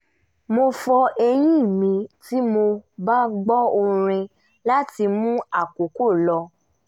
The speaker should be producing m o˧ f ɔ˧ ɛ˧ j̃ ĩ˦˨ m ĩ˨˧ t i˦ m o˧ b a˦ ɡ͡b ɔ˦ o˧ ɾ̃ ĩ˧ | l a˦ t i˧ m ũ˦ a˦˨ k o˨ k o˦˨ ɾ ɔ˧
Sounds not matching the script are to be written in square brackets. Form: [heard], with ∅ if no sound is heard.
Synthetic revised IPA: m o˧ f ɔ˧ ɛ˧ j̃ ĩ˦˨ m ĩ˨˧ t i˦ m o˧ b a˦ ɡ͡b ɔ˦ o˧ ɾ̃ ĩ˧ | l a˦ t i˧ m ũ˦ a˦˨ k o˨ k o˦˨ [l] ɔ˧

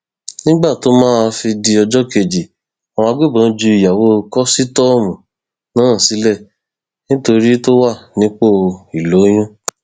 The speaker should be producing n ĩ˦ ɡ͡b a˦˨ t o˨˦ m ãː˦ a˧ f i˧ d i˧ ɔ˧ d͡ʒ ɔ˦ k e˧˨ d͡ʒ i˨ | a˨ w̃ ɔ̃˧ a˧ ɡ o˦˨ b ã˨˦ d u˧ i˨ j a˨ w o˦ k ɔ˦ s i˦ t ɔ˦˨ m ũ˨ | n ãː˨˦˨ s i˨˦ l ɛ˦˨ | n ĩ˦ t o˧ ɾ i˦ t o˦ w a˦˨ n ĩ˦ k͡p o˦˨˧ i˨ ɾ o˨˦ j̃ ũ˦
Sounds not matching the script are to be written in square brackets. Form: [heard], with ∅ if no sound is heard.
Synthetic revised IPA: n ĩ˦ ɡ͡b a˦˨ t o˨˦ m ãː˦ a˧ f i˧ d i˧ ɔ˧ d͡ʒ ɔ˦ k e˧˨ d͡ʒ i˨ | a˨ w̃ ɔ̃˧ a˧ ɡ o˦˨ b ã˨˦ [d͡ʒ] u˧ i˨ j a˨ w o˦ k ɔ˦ s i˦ t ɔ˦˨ m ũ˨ | n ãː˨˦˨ s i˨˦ l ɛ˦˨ | n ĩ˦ t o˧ ɾ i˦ t o˦ w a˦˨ n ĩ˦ k͡p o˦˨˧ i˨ [l] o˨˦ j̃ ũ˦

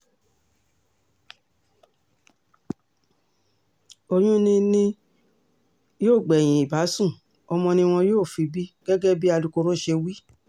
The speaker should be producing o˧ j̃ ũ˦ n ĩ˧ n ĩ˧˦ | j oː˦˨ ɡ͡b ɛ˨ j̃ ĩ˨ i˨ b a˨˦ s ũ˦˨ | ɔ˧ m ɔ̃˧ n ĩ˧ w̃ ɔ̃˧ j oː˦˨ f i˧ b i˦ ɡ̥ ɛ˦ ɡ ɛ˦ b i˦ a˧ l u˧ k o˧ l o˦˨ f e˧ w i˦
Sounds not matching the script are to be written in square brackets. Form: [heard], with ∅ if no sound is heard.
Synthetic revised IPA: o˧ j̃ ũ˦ n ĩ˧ n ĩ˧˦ | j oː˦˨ ɡ͡b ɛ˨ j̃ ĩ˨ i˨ b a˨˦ s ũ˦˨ | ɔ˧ m ɔ̃˧ n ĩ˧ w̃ ɔ̃˧ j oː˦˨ f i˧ b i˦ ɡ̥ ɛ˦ ɡ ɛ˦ b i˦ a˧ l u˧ k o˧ [ɾ] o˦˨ [ʃ] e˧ w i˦

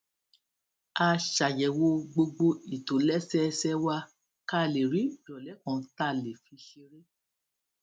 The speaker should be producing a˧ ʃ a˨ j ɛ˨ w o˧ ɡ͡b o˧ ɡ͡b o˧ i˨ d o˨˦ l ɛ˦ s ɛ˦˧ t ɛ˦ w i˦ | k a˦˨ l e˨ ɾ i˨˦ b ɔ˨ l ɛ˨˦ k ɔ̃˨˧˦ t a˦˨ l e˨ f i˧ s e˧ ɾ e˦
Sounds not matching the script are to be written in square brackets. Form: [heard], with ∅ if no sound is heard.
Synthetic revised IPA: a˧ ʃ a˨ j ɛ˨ w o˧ ɡ͡b o˧ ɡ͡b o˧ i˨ [t] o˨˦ l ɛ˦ s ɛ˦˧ [s] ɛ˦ w [a˦] | k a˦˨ l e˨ ɾ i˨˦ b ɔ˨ l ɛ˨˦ k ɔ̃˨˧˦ t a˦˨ l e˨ f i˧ [ʃ] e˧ ɾ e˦

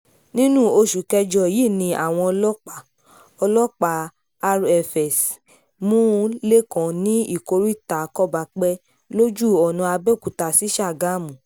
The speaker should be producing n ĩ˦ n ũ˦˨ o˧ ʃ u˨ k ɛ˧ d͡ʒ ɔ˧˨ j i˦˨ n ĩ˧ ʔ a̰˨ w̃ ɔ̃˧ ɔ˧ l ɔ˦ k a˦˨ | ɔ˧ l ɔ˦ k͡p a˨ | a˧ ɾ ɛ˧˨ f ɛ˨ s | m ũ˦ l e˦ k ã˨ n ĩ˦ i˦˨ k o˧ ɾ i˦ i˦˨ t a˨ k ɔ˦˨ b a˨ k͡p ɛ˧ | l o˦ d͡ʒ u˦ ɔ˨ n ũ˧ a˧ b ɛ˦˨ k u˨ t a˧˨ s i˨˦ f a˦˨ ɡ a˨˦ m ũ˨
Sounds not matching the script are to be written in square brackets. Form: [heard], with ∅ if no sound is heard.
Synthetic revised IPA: n ĩ˦ n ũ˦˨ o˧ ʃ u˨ k ɛ˧ d͡ʒ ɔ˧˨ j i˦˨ n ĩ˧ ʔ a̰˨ w̃ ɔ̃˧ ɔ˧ l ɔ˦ [k͡p] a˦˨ | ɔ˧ l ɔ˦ k͡p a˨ | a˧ ɾ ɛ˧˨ f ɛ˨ s | m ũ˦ l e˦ k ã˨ n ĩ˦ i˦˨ k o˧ ɾ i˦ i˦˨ t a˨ k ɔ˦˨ b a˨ k͡p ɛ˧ | l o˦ d͡ʒ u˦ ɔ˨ n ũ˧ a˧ b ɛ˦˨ k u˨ t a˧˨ s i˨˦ [ʃ] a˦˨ ɡ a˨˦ m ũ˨

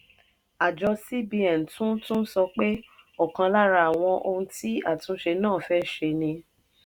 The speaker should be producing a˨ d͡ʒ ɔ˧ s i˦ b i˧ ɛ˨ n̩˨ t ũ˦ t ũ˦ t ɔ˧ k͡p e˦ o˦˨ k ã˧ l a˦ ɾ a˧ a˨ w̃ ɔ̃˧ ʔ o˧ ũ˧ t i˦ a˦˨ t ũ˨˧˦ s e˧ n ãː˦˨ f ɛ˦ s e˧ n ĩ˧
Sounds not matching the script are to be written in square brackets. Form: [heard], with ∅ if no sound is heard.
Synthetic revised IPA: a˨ d͡ʒ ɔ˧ s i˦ b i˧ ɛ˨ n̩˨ t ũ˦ t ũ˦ [s] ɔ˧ k͡p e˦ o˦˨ k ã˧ l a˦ ɾ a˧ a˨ w̃ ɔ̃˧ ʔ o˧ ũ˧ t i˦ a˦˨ t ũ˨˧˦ [ʃ] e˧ n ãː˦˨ f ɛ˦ [ʃ] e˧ n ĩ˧

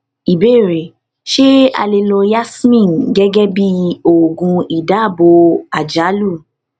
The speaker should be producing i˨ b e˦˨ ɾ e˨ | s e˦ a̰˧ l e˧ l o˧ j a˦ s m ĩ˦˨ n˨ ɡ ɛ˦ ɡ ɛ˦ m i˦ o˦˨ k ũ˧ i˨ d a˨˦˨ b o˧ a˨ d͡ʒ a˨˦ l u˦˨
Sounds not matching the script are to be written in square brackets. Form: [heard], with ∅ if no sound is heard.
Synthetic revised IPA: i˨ b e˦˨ ɾ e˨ | [ʃ] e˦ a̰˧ l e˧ l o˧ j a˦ s m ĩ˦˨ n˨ ɡ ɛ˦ ɡ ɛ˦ [b] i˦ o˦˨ [ɡ] ũ˧ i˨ d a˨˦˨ b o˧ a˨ d͡ʒ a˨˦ l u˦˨

